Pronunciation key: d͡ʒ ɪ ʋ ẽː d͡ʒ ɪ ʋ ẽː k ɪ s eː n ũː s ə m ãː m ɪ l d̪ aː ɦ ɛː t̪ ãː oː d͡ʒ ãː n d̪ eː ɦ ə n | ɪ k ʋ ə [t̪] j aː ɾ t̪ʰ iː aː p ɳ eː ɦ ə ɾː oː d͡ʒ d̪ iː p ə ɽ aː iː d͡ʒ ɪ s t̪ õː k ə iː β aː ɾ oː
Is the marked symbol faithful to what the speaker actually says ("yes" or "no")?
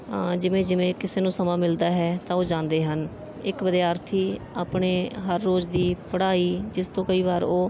no